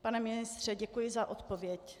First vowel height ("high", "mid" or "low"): low